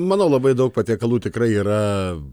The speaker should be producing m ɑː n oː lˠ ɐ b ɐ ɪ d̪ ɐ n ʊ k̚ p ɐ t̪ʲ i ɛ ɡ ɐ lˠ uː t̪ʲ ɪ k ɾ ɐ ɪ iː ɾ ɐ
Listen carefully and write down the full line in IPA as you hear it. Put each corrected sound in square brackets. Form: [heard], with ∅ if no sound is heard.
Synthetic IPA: m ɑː n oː lˠ ɐ b ɐ ɪ d̪ ɐ [∅] ʊ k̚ p ɐ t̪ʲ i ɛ [k] ɐ lˠ uː t̪ʲ ɪ k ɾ ɐ ɪ iː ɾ ɐ

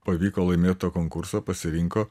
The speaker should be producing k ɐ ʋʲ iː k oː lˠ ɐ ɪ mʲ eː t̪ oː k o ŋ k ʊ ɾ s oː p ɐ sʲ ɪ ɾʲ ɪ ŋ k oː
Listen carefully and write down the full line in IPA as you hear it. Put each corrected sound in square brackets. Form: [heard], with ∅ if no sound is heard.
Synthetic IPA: [p] ɐ ʋʲ iː k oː lˠ ɐ ɪ mʲ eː t̪ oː k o ŋ k ʊ ɾ s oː p ɐ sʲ ɪ ɾʲ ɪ ŋ k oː

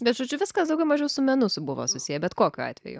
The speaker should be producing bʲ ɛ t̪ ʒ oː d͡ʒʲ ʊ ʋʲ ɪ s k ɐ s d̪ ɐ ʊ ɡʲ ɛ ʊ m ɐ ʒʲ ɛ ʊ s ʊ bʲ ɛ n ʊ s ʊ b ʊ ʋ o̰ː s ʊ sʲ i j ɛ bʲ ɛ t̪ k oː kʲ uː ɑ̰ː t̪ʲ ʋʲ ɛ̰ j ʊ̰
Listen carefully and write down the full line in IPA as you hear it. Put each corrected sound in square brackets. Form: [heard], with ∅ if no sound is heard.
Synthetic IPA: bʲ ɛ t̪ ʒ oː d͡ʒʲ ʊ ʋʲ ɪ s k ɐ s d̪ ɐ ʊ ɡʲ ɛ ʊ m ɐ ʒʲ ɛ ʊ s ʊ [mʲ] ɛ n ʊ s ʊ b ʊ ʋ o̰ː s ʊ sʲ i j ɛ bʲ ɛ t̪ k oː kʲ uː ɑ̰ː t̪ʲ ʋʲ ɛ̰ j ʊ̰

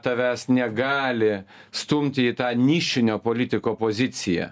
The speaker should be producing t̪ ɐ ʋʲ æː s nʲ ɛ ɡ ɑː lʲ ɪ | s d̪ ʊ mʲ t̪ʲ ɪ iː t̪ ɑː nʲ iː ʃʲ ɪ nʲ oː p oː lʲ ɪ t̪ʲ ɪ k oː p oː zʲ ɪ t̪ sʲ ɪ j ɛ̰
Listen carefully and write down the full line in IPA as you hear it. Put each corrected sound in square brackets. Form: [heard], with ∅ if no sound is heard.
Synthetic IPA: t̪ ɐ ʋʲ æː s nʲ ɛ ɡ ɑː lʲ ɪ | s [t̪] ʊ mʲ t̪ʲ ɪ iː t̪ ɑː nʲ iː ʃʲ ɪ nʲ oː p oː lʲ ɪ t̪ʲ ɪ k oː p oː zʲ ɪ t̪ sʲ ɪ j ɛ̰

